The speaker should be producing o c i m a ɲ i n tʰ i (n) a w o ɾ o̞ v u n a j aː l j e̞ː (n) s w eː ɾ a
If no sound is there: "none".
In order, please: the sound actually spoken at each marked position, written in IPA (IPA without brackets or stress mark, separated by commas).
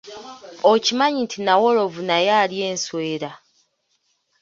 n, n